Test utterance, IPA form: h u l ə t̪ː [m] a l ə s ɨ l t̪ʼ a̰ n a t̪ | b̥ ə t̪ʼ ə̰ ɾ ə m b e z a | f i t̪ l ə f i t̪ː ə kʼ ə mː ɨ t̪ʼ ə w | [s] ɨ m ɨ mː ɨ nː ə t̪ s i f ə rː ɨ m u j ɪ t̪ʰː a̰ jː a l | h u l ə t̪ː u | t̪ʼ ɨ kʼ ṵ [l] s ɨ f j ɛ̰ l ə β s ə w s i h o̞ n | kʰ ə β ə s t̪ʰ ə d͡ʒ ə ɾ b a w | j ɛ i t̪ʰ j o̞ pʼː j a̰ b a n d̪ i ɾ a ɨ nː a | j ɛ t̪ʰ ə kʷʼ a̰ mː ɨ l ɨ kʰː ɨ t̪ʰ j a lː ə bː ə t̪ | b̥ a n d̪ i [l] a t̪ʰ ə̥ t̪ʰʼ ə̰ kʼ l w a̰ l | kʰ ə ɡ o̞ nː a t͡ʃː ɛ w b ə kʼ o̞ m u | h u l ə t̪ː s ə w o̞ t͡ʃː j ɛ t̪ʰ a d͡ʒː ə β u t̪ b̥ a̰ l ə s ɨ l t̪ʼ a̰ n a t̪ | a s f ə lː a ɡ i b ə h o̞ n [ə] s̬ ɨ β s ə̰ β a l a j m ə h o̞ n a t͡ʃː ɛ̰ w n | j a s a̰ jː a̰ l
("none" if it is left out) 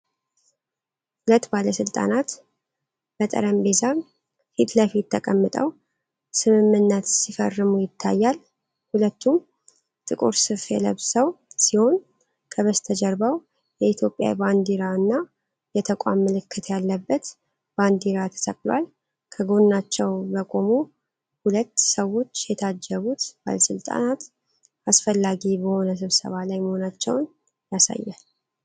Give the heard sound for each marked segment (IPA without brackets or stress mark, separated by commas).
b, s, ɾ, ɾ, ə